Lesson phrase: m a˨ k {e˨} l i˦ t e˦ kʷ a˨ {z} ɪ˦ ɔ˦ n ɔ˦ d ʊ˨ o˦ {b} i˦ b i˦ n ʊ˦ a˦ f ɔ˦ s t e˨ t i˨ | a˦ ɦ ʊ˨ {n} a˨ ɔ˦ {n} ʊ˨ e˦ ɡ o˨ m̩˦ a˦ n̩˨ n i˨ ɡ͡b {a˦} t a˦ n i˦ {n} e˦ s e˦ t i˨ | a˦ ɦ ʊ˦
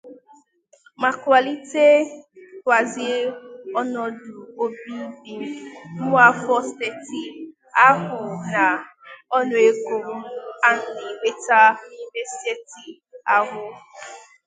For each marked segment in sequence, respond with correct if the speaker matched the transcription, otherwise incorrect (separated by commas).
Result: incorrect, correct, correct, correct, correct, incorrect, incorrect